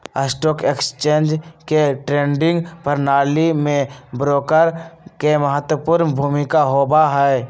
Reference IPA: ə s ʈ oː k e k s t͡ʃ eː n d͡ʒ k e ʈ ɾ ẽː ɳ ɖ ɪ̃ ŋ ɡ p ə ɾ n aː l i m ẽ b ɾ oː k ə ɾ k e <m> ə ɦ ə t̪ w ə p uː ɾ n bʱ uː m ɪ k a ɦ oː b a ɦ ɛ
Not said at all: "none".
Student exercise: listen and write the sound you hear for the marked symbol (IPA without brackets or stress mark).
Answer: m